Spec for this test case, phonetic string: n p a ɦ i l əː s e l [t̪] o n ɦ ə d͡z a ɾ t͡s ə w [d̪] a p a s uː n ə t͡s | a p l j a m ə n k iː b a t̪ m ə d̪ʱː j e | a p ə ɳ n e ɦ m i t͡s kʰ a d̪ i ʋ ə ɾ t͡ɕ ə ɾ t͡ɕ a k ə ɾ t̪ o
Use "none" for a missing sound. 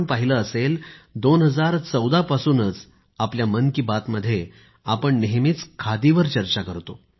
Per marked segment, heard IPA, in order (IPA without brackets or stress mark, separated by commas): d̪, d̪